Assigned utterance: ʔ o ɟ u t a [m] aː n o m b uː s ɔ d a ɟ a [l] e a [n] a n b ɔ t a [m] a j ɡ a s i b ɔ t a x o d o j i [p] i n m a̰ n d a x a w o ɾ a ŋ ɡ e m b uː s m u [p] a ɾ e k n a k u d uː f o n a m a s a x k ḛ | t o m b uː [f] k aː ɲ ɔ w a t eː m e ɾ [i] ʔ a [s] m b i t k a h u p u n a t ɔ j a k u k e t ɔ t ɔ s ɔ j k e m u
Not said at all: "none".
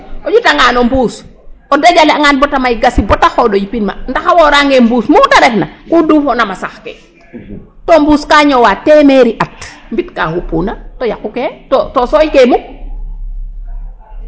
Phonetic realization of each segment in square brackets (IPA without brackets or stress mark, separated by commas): ŋ, l, ŋ, m, p, t, s, i, t